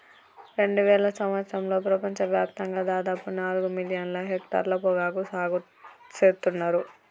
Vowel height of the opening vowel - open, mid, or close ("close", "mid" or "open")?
mid